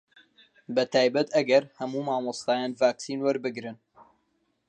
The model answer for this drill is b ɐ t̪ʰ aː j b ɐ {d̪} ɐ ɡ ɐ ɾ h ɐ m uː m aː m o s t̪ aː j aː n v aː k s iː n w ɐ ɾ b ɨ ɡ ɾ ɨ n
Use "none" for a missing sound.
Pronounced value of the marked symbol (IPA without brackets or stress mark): t̪